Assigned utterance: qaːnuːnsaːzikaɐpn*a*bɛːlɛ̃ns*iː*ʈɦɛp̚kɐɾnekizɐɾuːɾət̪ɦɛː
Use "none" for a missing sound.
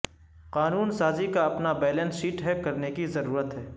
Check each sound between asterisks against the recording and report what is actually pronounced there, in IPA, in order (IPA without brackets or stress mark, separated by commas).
a, iː